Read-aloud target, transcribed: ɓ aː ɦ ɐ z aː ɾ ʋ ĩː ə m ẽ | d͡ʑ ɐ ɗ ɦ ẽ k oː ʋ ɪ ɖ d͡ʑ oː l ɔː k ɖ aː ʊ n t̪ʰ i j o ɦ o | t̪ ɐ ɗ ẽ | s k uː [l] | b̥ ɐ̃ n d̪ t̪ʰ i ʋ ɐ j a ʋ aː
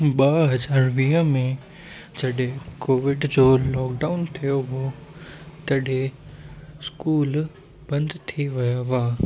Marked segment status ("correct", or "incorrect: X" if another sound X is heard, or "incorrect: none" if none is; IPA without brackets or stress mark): correct